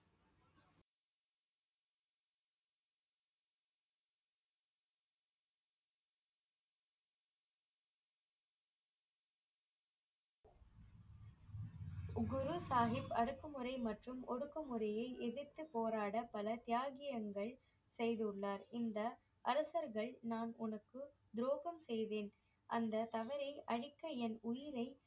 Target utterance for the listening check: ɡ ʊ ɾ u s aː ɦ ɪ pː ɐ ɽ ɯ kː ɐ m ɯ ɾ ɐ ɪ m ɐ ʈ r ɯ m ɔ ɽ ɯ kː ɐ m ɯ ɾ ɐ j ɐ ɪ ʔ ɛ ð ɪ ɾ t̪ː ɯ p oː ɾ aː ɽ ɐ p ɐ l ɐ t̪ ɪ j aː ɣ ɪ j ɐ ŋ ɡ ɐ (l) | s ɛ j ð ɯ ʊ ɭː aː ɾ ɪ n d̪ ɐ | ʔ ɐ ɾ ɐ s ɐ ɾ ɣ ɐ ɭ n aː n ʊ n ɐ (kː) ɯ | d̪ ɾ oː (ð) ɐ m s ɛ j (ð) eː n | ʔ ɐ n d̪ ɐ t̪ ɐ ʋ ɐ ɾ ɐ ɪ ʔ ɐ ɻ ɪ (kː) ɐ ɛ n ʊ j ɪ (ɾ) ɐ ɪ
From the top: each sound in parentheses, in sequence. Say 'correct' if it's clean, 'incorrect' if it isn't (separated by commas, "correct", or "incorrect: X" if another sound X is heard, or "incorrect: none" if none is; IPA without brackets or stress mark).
incorrect: ɭ, correct, incorrect: ɣ, correct, correct, correct